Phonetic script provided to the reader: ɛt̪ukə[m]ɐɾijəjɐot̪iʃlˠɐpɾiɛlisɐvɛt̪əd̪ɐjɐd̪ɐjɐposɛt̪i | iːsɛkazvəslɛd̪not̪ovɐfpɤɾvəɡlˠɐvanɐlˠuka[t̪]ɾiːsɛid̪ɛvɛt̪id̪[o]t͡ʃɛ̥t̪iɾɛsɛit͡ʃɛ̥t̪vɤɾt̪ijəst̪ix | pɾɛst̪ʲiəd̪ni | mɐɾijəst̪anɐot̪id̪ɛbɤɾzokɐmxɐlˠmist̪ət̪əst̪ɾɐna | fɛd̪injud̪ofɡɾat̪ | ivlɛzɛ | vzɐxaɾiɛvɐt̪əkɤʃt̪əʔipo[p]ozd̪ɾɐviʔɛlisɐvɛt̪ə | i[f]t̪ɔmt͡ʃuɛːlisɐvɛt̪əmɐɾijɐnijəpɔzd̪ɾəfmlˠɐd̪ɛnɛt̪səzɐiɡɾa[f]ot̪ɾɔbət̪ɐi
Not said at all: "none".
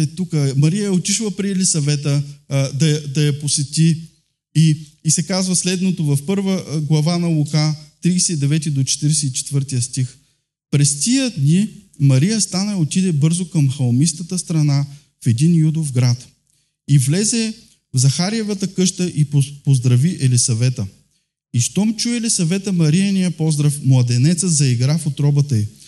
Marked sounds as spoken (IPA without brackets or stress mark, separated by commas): m, t̪, o, p, ʃ, f